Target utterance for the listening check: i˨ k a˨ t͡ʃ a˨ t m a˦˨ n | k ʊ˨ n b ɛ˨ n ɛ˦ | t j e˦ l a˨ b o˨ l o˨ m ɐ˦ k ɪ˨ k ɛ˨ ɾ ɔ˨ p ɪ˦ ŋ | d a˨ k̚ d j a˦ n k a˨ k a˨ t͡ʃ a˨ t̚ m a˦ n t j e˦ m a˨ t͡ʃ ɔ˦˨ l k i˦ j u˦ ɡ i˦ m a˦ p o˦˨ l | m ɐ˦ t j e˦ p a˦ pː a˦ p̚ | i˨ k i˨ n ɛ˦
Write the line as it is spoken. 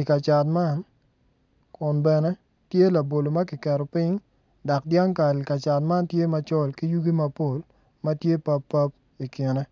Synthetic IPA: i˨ k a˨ t͡ʃ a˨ t m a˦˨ n | k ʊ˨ n b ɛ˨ n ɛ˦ | t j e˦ l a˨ b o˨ l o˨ m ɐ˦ k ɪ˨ k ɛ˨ ɾ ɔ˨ p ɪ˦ ŋ | d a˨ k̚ d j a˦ ŋ k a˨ k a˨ t͡ʃ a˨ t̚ m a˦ n t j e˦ m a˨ t͡ʃ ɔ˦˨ l k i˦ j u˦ ɡ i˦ m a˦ p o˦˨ l | m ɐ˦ t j e˦ p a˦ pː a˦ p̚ | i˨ k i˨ n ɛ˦

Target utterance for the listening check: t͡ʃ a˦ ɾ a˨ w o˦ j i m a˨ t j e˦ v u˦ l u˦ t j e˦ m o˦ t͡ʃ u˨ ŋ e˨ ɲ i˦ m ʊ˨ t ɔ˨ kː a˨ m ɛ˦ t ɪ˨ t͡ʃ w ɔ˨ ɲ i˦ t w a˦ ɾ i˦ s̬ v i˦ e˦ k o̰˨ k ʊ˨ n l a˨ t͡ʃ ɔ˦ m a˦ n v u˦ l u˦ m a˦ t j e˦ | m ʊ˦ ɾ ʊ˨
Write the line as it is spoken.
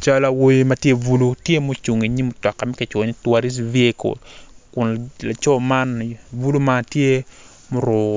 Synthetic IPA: t͡ʃ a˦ l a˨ w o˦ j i m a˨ t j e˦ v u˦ l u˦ t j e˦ m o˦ t͡ʃ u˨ ŋ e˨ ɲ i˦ m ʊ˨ t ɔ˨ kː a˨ m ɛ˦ k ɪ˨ t͡ʃ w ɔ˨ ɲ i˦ t w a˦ ɾ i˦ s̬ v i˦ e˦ k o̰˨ k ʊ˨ n l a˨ t͡ʃ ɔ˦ m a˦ n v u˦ l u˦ m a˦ t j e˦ | m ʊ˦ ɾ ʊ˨

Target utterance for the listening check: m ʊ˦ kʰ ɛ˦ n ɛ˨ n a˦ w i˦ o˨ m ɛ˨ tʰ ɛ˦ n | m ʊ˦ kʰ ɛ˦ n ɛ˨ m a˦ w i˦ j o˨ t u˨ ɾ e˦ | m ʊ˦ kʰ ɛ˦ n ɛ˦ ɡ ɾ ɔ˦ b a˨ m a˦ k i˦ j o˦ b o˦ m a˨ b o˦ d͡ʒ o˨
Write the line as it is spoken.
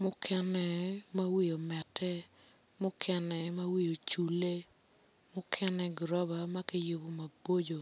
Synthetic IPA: m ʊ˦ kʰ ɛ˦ n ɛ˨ m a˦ w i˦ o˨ m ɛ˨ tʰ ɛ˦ | m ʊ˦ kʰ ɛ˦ n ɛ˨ m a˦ w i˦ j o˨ t͡ʃ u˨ l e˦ | m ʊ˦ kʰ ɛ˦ n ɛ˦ ɡ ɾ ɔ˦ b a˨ m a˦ k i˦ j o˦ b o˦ m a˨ b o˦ d͡ʒ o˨

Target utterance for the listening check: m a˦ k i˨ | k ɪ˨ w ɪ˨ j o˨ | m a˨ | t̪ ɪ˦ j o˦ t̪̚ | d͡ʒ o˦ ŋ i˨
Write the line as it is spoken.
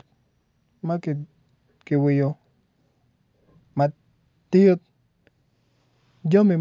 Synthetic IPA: m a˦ k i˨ | k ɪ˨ w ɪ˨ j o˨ | m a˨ | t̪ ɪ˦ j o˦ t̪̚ | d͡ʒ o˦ m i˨

